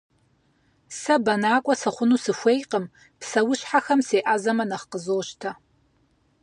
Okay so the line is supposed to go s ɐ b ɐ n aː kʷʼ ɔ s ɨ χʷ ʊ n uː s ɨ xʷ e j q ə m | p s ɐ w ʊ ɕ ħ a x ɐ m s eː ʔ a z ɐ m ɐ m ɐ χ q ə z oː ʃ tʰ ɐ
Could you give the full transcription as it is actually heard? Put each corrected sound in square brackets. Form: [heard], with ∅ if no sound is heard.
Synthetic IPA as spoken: s ɐ b ɐ n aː kʷʼ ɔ s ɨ χʷ ʊ n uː s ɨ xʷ e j q ə m | p s ɐ w ʊ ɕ ħ a x ɐ m s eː ʔ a z ɐ m ɐ [n] ɐ χ q ə z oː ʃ tʰ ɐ